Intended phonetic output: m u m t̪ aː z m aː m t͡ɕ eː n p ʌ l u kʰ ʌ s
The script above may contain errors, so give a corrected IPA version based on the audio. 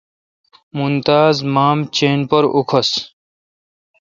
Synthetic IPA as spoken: m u n t̪ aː z m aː m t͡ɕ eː n p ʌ ɾ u kʰ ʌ s